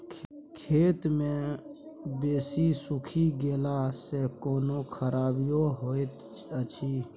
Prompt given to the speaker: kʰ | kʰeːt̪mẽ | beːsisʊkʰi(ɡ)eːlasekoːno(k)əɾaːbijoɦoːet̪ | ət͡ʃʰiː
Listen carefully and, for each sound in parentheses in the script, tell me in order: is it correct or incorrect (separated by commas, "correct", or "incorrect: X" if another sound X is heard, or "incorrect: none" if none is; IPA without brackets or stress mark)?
correct, incorrect: kʰ